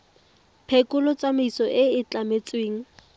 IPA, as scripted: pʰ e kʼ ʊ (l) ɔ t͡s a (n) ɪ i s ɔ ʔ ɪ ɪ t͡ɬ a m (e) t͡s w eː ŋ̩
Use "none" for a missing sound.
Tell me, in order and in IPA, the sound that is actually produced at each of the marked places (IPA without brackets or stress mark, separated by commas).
l, m, e